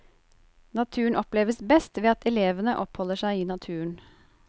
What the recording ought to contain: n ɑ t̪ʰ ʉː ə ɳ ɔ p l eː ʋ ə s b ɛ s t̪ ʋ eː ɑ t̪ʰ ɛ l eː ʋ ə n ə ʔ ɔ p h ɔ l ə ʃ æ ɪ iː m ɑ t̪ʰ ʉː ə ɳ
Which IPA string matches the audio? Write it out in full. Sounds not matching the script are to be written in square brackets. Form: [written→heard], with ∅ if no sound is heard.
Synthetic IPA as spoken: n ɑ t̪ʰ ʉː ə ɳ ɔ p l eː ʋ ə s b ɛ s t̪ ʋ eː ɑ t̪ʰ ɛ l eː ʋ ə n ə ʔ ɔ p h ɔ l ə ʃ æ ɪ iː [m→n] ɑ t̪ʰ ʉː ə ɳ